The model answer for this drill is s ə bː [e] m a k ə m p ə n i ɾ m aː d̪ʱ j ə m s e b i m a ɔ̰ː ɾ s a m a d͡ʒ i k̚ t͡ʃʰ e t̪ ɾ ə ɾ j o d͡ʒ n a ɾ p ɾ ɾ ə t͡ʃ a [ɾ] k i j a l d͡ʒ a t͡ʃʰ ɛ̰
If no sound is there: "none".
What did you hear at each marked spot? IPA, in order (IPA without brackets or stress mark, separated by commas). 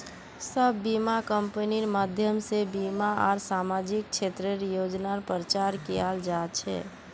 i, ɾ